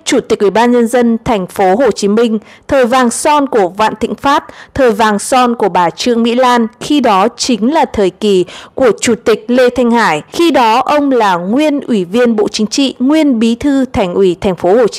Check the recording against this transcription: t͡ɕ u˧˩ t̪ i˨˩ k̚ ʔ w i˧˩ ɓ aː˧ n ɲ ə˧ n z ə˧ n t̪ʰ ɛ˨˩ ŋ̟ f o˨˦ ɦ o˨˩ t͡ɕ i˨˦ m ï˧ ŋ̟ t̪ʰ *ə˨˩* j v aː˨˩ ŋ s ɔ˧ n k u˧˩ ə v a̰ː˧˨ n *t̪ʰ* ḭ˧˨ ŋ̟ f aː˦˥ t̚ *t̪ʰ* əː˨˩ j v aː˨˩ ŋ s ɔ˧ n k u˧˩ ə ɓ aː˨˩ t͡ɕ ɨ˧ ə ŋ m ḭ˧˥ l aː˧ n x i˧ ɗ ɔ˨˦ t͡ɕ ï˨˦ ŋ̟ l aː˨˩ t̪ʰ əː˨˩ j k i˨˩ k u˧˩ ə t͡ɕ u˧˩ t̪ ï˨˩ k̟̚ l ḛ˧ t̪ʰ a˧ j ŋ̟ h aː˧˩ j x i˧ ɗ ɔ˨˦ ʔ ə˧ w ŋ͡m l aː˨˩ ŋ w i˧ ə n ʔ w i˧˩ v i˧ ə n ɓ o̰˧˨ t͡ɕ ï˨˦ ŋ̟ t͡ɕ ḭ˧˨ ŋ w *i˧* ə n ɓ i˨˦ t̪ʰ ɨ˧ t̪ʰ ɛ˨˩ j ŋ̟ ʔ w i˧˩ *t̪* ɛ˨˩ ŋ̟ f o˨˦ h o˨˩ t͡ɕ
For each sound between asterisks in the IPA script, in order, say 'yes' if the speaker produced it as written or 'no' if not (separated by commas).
no, no, yes, yes, no